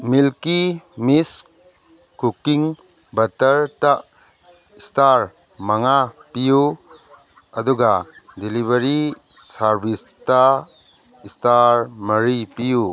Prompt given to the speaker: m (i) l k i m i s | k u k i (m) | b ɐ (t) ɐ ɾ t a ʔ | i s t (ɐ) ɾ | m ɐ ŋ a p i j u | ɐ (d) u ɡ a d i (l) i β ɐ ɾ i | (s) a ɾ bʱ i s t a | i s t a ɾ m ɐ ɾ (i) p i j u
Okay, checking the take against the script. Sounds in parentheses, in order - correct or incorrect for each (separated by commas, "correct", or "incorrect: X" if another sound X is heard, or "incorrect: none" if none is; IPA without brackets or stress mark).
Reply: correct, incorrect: ŋ, correct, incorrect: a, correct, correct, correct, correct